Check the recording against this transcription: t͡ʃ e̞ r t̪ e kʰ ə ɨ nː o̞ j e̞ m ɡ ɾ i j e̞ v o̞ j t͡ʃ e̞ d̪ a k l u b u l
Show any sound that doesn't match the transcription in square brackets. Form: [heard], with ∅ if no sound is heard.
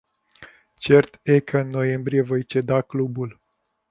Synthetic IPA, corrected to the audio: t͡ʃ e̞ r t̪ e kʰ ə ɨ nː o̞ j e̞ m [b] ɾ i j e̞ v o̞ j t͡ʃ e̞ d̪ a k l u b u l